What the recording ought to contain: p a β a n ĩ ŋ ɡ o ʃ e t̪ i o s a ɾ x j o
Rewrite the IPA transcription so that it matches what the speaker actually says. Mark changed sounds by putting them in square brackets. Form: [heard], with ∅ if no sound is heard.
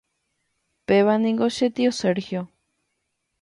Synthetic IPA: p [e] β a n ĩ ŋ ɡ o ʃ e t̪ i o s [e] ɾ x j o